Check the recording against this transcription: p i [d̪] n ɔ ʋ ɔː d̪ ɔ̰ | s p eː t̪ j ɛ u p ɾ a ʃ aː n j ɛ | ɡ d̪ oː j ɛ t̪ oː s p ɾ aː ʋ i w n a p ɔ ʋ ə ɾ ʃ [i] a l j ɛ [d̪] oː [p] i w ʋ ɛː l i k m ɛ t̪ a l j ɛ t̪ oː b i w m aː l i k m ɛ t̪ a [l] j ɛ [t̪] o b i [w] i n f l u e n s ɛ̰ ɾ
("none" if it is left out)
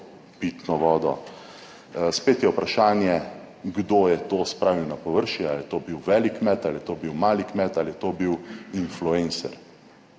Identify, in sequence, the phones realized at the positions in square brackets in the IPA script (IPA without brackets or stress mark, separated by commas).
t̪, i, t̪, b, l, t̪, w